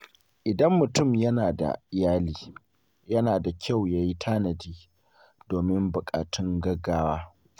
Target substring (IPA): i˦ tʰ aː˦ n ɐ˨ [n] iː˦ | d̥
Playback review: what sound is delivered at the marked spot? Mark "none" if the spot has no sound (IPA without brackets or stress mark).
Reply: d